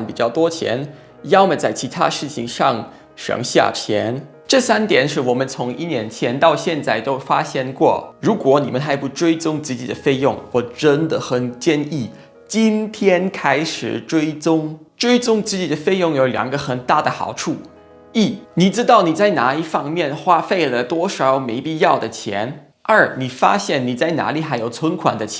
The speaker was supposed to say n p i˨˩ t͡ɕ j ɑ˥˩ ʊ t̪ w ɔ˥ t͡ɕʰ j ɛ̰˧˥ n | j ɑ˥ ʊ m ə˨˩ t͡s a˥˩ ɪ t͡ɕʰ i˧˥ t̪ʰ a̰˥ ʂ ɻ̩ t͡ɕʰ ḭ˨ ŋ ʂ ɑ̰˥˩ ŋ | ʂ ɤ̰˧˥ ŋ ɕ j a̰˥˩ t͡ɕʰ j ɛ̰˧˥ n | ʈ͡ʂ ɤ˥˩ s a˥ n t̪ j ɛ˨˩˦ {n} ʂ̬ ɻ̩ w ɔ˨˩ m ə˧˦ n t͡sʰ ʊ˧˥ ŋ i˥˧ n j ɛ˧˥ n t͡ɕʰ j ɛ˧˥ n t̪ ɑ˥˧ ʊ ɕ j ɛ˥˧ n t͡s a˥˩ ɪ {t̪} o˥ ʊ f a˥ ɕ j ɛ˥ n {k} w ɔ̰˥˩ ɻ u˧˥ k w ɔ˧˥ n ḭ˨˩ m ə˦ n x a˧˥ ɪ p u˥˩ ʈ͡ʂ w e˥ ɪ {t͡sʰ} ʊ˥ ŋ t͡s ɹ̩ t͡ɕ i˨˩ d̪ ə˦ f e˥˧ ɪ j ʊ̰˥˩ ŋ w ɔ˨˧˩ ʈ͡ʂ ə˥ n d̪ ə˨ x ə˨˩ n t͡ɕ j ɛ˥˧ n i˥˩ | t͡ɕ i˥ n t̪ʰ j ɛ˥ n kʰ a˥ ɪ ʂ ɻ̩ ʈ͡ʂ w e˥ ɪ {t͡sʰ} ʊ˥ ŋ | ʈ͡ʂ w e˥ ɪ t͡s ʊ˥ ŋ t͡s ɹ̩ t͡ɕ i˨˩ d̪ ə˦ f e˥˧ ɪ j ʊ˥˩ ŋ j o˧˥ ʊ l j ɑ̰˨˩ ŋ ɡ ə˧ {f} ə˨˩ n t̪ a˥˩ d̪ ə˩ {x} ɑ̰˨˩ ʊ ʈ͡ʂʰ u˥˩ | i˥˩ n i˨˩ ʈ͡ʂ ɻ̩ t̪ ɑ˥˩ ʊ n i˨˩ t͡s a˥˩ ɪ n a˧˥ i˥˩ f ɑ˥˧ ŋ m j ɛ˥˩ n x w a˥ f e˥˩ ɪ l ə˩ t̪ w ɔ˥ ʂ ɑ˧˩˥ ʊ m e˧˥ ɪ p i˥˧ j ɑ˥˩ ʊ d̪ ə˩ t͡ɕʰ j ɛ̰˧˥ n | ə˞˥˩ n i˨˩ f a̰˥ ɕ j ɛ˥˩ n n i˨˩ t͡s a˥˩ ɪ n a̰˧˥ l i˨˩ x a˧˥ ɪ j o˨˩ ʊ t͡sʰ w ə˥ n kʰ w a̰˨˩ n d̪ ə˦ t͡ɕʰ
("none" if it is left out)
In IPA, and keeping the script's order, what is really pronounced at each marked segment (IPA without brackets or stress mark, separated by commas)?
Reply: n, t̪, k, t͡s, t͡s, x, x